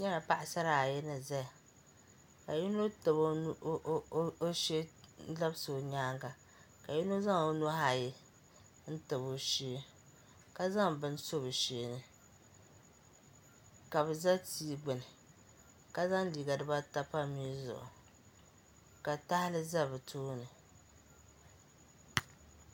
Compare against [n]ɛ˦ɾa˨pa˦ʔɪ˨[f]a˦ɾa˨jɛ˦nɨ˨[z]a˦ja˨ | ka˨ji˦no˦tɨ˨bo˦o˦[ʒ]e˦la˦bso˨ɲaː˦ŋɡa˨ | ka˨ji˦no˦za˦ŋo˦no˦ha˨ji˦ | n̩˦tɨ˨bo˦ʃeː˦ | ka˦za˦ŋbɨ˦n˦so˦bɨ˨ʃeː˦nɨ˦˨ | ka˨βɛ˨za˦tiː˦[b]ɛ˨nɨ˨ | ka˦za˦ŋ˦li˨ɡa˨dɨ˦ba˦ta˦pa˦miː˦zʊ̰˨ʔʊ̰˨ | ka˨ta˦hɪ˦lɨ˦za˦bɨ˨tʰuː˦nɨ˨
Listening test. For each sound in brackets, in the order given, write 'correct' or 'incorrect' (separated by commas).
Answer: incorrect, incorrect, correct, incorrect, incorrect